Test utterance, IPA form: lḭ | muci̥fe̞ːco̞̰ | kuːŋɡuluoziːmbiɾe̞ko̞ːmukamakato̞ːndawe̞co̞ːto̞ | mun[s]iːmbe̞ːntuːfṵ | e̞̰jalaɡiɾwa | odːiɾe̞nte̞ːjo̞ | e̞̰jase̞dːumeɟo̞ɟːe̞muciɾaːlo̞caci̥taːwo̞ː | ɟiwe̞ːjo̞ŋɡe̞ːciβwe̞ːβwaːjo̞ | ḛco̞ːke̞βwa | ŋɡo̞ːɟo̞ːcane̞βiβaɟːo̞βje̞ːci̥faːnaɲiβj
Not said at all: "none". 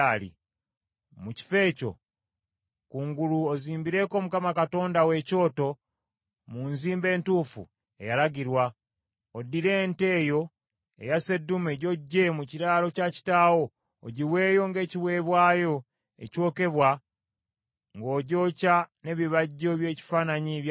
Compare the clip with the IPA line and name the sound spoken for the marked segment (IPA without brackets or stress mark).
z